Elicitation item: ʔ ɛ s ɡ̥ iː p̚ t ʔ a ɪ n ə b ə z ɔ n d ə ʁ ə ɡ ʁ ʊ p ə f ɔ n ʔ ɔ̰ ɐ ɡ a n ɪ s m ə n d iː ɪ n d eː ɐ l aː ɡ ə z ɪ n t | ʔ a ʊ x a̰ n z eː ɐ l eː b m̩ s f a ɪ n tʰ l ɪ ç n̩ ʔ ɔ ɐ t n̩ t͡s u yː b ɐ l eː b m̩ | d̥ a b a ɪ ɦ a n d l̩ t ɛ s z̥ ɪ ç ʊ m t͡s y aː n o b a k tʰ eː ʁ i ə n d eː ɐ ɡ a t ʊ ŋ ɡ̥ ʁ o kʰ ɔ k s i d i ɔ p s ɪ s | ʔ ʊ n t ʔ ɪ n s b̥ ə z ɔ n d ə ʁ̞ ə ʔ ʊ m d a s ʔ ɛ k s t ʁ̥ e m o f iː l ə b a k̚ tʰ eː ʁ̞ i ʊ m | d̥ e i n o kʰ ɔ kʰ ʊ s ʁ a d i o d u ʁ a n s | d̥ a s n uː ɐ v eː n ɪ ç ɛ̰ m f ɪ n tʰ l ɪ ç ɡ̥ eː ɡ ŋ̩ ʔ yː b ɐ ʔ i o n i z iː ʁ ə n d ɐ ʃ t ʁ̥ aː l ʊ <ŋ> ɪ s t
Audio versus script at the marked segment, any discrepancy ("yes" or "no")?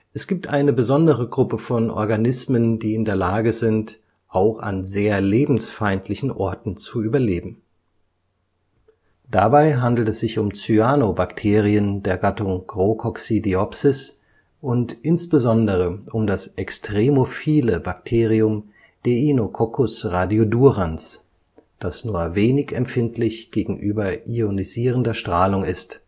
no